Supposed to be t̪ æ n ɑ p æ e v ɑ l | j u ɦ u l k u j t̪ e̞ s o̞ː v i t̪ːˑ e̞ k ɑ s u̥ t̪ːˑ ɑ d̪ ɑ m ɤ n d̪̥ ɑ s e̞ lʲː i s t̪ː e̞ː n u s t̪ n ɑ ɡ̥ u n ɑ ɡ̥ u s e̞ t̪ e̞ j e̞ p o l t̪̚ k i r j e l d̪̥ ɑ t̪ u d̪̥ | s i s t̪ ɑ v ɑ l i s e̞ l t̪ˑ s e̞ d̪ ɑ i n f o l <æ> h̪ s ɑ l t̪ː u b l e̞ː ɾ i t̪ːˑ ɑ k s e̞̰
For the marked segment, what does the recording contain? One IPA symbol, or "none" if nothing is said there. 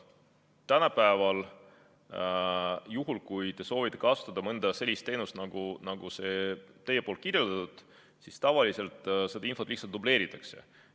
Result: i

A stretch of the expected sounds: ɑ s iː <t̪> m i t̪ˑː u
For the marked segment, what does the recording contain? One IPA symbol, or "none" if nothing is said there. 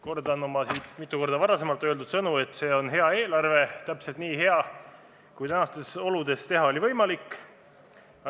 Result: t̪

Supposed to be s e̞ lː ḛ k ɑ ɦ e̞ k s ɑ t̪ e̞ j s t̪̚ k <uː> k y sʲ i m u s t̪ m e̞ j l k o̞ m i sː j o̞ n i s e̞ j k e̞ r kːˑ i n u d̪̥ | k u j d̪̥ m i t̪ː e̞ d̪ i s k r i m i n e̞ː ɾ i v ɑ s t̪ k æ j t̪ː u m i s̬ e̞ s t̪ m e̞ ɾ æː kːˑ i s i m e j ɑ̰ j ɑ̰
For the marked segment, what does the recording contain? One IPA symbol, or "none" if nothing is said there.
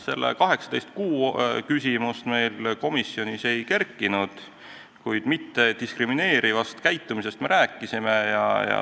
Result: uː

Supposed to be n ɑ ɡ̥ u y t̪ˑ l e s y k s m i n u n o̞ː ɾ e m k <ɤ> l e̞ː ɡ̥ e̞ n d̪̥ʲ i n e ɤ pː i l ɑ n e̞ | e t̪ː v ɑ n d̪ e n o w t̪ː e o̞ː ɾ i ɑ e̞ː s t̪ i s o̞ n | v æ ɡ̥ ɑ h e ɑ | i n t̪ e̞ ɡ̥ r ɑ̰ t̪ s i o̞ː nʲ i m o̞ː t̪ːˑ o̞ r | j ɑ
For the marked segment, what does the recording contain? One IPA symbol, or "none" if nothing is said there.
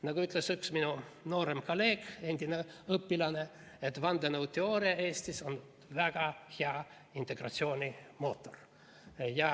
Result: o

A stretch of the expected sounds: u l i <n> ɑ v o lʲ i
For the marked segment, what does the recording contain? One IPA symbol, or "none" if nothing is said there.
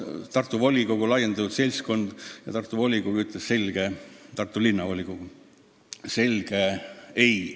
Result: nː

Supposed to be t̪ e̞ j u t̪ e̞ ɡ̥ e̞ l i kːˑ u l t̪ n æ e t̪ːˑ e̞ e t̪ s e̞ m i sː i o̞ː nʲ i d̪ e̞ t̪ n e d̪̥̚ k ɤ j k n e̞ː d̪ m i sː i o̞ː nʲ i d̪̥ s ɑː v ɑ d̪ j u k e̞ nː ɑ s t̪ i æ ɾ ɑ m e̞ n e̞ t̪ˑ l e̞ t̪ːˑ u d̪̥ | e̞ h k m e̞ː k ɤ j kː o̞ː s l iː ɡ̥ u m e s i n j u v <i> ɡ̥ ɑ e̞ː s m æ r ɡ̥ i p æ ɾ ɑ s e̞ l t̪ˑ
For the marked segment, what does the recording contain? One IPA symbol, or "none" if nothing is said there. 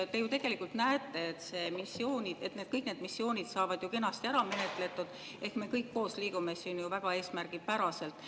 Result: æ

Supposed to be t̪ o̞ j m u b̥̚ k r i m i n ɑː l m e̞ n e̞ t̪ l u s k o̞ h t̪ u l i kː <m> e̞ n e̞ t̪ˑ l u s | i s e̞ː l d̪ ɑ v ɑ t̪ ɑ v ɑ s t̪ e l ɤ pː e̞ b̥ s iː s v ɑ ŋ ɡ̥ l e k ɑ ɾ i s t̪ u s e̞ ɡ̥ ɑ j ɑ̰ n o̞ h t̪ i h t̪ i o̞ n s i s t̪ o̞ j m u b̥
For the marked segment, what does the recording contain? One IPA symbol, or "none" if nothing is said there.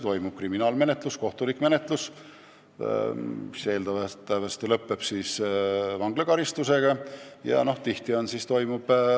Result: m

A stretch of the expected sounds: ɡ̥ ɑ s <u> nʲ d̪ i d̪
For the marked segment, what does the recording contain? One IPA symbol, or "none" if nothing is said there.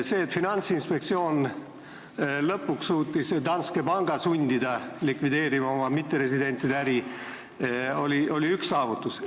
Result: u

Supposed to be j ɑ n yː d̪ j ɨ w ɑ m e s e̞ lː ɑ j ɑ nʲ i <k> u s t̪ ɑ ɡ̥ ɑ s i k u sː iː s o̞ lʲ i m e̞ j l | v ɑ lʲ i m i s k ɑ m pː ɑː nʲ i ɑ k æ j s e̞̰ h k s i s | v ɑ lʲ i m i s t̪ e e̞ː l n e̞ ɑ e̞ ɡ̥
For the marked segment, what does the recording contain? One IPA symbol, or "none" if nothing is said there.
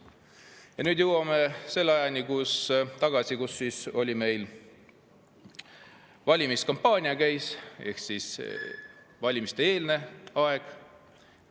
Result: k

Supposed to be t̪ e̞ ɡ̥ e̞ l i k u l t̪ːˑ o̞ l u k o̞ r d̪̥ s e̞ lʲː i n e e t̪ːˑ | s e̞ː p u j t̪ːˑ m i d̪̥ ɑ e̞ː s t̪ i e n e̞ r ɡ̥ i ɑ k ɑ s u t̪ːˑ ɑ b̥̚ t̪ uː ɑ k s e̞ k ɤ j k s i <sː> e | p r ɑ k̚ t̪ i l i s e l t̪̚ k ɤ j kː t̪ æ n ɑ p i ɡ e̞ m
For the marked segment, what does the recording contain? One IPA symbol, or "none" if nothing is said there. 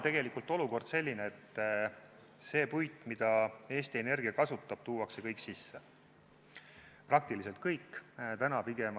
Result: sː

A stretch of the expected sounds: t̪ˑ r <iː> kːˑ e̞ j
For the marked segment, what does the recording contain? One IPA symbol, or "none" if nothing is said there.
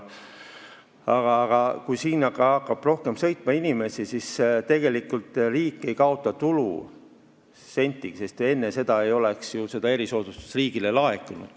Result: iː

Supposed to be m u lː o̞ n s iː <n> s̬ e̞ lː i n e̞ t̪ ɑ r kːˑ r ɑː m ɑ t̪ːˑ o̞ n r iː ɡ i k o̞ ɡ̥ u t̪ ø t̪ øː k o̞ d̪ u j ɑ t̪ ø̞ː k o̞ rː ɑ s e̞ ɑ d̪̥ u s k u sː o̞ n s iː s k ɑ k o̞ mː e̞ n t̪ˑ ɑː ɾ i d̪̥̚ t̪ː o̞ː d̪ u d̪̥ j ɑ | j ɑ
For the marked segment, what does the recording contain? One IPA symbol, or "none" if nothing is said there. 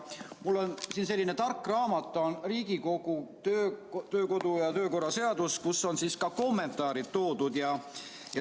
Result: n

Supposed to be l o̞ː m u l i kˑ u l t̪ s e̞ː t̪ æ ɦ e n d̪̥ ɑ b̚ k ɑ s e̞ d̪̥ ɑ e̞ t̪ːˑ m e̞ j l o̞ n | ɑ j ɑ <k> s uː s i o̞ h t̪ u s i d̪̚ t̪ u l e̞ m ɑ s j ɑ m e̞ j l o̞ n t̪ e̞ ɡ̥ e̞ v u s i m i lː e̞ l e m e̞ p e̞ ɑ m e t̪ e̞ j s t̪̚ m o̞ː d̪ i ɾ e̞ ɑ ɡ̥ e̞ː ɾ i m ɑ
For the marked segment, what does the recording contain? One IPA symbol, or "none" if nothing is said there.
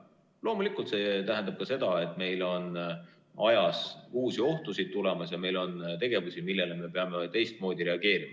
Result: none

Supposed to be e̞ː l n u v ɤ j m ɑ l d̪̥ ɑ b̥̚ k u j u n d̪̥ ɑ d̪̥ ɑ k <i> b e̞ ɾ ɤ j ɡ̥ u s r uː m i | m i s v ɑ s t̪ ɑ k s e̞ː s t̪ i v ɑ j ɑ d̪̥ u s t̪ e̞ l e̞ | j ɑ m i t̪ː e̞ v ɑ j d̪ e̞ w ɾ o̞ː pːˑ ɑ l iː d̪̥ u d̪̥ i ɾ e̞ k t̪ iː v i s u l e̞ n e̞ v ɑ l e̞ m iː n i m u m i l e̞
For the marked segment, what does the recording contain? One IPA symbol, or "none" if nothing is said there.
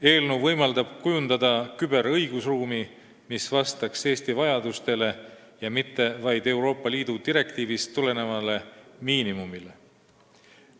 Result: y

